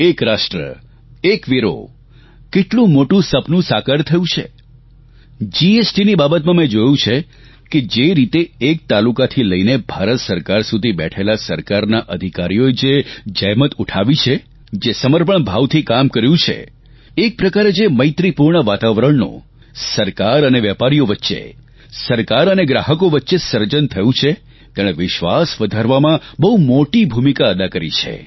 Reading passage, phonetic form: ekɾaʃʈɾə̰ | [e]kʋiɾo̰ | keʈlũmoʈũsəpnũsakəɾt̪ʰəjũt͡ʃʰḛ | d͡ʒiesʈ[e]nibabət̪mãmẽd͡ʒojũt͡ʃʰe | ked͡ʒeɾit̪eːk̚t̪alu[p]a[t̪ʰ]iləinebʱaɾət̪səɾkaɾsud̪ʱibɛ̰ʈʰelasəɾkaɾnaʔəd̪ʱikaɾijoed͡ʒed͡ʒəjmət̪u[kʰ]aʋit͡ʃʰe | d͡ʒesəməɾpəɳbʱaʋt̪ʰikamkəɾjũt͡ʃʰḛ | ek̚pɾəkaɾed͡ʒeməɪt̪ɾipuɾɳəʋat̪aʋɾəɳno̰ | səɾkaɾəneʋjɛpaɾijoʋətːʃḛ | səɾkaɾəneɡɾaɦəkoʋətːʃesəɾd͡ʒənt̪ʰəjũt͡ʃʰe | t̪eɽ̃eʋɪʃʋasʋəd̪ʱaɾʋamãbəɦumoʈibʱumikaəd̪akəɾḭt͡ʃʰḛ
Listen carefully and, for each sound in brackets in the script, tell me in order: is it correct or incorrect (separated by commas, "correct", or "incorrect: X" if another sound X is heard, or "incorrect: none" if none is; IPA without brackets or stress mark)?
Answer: correct, incorrect: i, incorrect: k, correct, incorrect: ʈʰ